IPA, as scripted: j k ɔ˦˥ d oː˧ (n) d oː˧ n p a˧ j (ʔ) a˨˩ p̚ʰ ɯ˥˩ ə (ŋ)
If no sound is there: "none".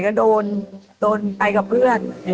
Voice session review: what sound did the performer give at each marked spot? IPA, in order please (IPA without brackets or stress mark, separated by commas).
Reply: n, k, n